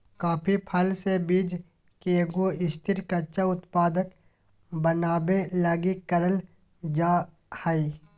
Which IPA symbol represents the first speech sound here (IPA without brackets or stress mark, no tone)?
k